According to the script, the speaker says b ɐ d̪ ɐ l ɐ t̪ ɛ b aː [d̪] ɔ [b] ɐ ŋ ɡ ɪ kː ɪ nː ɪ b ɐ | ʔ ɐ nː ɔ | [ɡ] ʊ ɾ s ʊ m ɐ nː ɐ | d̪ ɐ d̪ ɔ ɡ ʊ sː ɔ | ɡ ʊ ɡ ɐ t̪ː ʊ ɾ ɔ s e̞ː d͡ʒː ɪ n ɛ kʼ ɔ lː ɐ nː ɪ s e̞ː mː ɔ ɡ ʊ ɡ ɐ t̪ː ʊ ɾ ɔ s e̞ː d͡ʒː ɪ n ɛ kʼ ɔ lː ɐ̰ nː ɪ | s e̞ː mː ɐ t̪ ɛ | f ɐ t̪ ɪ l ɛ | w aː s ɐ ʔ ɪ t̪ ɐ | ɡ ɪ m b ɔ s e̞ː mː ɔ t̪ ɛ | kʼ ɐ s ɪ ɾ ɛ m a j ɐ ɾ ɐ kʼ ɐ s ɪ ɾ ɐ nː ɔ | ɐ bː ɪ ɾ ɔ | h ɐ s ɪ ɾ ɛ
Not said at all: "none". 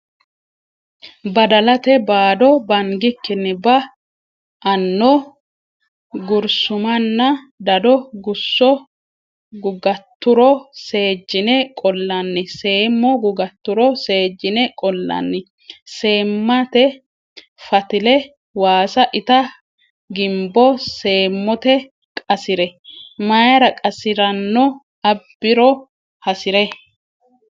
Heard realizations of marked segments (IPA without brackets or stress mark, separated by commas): d̪, b, ɡ